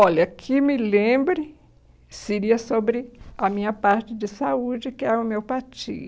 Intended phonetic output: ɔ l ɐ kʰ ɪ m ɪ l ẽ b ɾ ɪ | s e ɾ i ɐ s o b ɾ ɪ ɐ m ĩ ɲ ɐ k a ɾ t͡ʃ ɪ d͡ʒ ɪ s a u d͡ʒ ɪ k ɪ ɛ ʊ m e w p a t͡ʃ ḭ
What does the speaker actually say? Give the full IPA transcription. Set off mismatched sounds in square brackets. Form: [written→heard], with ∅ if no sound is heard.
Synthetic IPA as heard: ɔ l ɐ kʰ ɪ m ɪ l ẽ b ɾ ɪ | s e ɾ i ɐ s o b ɾ ɪ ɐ m ĩ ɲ ɐ [k→p] a ɾ t͡ʃ ɪ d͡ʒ ɪ s a u d͡ʒ ɪ k ɪ ɛ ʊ m e w p a t͡ʃ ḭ